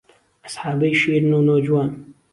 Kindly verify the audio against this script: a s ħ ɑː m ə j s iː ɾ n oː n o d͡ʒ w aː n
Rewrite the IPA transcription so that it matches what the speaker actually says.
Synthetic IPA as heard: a s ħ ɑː b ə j ʃ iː ɾ n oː n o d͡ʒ w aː n